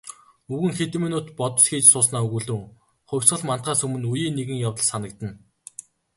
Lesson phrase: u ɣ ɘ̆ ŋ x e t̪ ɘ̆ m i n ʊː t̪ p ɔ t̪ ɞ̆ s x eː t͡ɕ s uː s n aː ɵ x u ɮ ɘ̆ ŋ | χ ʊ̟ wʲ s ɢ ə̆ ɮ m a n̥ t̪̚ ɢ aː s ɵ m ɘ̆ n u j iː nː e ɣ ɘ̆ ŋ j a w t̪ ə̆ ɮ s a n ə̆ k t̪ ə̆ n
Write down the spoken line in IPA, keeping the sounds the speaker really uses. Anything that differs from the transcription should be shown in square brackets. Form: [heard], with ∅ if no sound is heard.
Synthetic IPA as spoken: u ɣ ɘ̆ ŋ x e t̪ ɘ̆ m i n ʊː t̪ p ɔ t̪ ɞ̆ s x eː t͡ɕ s [ʊː] s n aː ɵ [ɣ] u ɮ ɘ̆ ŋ | χ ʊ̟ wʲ s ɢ ə̆ ɮ m a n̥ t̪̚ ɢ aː s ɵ m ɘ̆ n u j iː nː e ɣ ɘ̆ ŋ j a w t̪ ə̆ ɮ s a n ə̆ k t̪ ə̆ n